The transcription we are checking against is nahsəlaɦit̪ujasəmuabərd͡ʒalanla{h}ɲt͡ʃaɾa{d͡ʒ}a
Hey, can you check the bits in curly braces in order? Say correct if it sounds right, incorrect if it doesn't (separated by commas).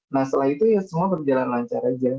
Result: incorrect, correct